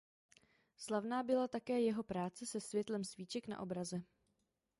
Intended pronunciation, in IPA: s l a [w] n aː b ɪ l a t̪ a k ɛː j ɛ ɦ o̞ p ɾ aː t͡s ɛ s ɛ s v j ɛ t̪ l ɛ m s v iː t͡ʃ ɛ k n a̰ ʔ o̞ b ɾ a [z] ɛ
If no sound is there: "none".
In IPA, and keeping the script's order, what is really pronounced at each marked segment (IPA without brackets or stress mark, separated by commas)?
v, z